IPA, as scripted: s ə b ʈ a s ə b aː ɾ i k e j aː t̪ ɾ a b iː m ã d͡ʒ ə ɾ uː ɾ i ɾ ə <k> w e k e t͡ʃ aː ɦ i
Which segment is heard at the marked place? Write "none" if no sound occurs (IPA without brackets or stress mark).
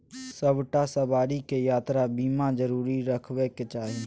kʰ